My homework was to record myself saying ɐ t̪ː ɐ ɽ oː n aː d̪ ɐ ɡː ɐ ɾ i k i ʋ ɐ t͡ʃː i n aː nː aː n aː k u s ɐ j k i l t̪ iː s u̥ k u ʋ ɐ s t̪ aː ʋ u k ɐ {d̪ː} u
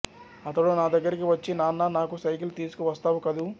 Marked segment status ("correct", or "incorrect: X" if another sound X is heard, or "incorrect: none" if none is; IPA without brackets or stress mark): incorrect: d̪